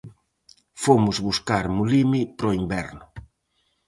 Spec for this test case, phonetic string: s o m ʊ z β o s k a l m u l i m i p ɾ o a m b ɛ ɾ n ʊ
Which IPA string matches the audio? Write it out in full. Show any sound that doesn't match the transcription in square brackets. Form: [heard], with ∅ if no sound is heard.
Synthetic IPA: [f] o m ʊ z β [u] s k a [ɾ] m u l i m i p ɾ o [i] m b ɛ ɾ n ʊ